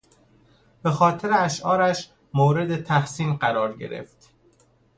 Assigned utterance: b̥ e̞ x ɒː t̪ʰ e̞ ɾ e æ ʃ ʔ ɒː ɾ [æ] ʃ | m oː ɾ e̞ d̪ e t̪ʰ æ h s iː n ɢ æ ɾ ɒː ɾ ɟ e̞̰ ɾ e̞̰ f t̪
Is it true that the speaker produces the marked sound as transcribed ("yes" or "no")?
yes